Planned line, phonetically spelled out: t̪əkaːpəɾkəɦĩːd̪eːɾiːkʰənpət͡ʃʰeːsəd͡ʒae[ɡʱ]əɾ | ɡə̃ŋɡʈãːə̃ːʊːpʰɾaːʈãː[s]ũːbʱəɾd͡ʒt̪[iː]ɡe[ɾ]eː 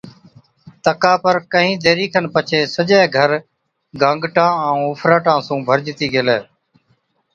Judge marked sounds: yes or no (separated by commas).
yes, yes, yes, no